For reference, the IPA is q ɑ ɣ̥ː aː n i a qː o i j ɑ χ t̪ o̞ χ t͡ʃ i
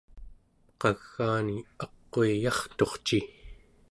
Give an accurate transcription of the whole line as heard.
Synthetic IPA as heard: q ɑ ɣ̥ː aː n i ɑ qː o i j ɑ χ t̪ o̞ χ t͡ʃ i